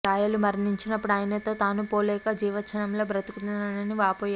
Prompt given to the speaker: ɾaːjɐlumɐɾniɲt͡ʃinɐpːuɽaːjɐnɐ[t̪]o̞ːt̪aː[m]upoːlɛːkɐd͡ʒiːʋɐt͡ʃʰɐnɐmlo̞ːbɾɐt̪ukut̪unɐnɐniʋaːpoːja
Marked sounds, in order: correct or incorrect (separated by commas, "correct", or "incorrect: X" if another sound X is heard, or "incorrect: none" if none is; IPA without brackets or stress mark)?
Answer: correct, incorrect: n